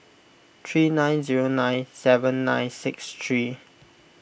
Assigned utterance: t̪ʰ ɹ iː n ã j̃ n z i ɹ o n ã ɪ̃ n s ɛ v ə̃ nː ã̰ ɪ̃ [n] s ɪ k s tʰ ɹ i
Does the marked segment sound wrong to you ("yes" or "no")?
no